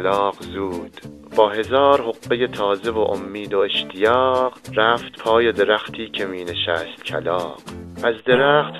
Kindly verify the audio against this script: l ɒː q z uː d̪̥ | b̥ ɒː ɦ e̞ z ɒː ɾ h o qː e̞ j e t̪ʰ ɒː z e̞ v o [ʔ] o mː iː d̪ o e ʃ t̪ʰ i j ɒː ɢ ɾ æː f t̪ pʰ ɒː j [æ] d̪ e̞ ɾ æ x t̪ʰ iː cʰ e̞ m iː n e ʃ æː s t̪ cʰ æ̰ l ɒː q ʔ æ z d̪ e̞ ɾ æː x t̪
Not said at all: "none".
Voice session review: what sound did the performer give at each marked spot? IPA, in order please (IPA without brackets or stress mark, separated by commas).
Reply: ʔ, e